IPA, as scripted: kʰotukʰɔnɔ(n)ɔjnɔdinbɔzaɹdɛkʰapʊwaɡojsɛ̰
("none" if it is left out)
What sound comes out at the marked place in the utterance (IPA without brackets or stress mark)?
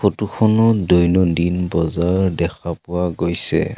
d